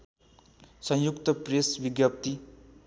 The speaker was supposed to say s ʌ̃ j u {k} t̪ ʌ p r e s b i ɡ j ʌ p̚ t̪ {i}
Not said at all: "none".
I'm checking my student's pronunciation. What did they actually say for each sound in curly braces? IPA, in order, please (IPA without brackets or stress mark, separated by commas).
k, i